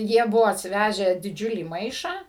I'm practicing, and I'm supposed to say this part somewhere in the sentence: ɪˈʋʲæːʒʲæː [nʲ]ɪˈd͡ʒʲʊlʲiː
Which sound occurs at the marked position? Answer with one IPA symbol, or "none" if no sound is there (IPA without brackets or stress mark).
dʲ